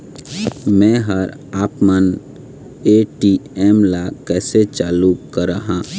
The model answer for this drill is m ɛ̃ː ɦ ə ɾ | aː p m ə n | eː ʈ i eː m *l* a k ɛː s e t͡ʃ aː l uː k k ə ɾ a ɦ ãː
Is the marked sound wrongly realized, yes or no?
no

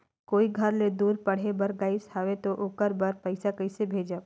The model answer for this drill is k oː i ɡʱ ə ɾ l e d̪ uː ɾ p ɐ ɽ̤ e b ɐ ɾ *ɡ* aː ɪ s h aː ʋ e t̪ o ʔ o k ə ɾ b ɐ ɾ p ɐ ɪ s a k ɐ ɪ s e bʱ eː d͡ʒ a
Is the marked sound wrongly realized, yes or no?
no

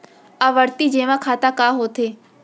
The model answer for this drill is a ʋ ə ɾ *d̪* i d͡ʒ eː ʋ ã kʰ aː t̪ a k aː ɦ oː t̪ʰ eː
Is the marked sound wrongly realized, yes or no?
yes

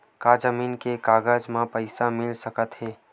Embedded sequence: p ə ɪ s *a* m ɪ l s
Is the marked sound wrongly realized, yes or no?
no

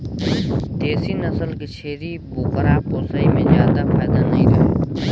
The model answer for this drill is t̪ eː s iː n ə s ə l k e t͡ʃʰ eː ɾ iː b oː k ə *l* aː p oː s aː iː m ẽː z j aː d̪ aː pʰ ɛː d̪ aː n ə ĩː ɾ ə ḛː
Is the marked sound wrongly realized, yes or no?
yes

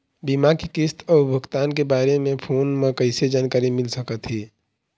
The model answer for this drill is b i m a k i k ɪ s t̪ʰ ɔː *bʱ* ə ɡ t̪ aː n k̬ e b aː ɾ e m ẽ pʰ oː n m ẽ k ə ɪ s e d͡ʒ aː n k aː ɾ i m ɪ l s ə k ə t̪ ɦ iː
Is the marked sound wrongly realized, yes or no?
no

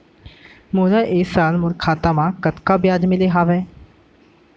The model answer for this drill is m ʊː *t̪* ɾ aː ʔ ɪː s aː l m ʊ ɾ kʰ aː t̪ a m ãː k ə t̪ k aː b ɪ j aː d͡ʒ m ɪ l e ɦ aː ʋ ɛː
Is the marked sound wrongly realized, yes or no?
yes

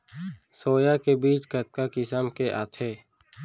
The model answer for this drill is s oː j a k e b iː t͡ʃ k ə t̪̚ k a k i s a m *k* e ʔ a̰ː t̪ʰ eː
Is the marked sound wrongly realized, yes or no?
no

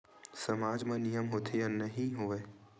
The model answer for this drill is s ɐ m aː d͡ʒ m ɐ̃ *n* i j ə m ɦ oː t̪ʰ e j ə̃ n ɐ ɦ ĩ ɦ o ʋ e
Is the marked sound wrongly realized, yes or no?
no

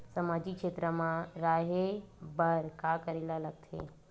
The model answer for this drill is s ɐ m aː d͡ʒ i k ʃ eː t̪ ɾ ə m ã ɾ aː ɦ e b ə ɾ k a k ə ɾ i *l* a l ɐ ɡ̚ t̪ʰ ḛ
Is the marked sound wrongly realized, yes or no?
no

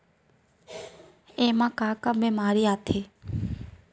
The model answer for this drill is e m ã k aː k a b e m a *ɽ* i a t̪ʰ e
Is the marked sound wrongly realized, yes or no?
yes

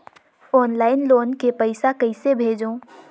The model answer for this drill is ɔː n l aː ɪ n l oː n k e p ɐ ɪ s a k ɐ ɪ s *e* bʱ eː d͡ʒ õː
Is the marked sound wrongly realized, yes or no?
no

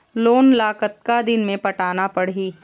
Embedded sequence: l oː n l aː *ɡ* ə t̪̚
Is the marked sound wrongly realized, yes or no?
yes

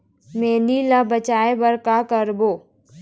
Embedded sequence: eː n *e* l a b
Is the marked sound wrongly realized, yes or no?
yes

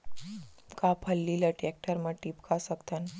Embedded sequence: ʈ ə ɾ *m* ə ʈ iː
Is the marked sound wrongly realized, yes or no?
no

